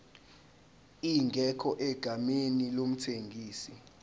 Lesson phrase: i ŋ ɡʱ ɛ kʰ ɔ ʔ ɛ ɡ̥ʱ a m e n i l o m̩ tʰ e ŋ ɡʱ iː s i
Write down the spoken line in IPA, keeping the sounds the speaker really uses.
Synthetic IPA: i ŋ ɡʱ ɛ kʰ ɔ ʔ ɛ ɡ̥ʱ a m e n i l o m̩ tʰ e ŋ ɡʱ iː s i